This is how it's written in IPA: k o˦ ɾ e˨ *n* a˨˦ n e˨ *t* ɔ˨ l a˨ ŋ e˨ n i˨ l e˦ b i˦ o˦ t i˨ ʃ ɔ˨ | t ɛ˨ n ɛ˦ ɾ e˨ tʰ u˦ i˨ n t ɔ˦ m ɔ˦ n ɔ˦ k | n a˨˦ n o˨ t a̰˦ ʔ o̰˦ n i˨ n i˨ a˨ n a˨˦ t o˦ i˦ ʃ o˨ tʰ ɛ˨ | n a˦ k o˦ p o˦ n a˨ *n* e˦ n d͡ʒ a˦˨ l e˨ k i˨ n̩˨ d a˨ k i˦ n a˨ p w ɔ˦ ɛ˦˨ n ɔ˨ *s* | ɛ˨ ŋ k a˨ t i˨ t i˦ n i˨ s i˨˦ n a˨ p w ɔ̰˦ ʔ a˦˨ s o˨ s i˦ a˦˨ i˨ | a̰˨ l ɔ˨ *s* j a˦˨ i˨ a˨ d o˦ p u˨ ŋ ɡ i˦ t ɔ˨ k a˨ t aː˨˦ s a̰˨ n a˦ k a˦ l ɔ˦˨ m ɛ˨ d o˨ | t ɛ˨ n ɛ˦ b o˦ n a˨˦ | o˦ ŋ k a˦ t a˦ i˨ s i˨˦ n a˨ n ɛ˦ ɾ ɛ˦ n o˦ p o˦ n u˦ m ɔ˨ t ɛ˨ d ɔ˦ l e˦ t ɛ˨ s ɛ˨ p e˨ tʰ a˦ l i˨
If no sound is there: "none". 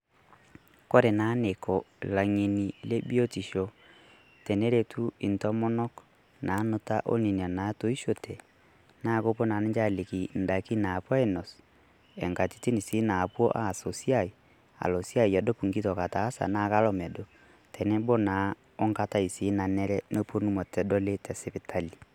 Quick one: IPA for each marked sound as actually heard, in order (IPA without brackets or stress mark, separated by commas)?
n, k, n, s, s